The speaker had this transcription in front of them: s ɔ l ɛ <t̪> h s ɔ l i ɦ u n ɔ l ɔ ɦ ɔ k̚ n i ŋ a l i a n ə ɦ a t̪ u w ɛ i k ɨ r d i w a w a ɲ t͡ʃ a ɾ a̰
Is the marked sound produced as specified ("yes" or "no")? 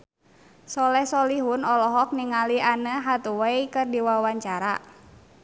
no